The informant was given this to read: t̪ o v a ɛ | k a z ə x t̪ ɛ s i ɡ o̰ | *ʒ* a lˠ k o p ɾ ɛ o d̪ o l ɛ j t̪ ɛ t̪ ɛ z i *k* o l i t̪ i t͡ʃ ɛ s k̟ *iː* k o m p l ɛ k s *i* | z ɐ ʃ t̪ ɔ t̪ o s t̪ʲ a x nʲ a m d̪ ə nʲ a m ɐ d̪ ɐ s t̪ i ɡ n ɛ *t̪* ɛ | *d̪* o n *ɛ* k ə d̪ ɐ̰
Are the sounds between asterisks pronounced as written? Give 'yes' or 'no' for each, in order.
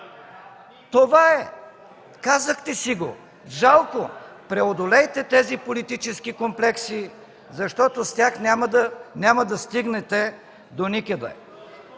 yes, no, no, yes, yes, yes, no

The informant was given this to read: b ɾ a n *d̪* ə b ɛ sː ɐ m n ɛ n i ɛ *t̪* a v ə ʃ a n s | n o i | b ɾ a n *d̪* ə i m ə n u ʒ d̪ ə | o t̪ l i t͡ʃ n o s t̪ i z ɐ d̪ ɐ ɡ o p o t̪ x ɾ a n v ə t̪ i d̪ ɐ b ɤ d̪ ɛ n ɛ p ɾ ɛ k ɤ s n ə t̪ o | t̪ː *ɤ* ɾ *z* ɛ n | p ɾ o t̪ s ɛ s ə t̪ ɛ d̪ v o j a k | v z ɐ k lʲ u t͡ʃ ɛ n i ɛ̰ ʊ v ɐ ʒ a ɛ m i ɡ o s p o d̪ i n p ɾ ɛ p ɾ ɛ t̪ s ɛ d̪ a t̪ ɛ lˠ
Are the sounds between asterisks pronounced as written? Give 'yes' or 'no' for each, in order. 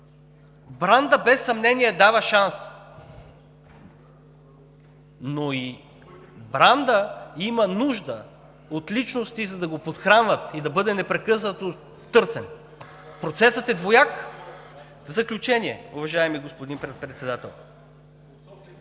yes, no, yes, yes, no

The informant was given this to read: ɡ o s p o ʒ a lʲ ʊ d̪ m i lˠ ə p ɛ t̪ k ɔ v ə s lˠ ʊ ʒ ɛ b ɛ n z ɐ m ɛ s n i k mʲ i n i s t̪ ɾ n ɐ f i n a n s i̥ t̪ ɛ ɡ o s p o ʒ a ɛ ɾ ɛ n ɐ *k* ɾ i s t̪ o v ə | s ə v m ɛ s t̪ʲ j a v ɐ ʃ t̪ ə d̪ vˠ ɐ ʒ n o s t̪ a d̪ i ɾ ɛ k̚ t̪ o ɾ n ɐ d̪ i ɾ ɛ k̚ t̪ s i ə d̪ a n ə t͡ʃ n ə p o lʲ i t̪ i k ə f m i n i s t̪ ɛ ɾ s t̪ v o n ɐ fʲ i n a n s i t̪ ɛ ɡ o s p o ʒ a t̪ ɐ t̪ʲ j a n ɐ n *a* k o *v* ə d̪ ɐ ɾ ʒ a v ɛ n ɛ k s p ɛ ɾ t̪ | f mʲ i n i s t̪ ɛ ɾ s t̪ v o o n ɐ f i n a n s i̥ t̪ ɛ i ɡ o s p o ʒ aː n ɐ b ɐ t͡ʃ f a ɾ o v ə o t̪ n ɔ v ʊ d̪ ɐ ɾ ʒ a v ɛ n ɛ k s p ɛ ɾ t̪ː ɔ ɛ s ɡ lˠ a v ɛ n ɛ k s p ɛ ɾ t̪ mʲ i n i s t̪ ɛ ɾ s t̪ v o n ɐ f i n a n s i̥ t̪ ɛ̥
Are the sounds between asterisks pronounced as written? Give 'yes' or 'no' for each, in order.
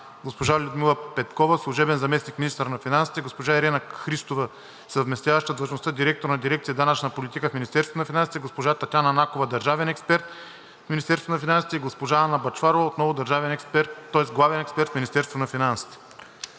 no, yes, yes

